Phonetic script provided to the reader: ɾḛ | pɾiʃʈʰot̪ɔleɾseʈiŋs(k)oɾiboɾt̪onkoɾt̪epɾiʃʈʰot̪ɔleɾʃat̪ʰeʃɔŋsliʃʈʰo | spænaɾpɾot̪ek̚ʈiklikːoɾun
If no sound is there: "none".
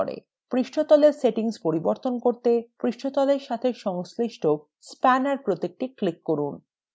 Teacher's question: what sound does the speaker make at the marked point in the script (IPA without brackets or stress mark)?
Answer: p